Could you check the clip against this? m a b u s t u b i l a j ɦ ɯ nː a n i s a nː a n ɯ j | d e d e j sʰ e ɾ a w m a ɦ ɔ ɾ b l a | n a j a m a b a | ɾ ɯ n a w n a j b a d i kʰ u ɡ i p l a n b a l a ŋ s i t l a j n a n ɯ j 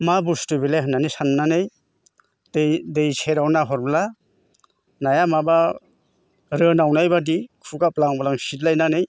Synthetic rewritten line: m a b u s t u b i l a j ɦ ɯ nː a n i s a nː a n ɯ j | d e d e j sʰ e ɾ a w n a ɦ ɔ ɾ b l a | n a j a m a b a | ɾ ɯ n a w n a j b a d i kʰ u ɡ a p l a ŋ b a l a ŋ s i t l a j n a n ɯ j